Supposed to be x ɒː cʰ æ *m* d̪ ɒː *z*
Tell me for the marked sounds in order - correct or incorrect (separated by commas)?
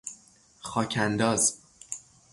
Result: incorrect, correct